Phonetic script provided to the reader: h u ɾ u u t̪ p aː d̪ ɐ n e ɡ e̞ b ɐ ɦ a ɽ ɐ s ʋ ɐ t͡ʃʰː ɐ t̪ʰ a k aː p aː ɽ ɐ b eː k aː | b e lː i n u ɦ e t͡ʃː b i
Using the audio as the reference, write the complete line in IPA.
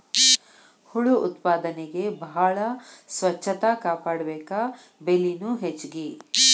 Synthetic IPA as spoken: h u ɭ u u t̪ p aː d̪ ɐ n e ɡ e̞ b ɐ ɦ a ɭ ɐ s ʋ ɐ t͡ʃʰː ɐ t̪ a k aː p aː ɽ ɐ b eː k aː | b e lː i n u ɦ e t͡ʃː ɡ i